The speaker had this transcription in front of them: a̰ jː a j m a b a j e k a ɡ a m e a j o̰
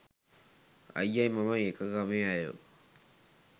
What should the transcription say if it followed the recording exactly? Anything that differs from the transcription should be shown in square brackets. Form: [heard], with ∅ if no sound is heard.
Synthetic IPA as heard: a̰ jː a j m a [m] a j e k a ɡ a m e a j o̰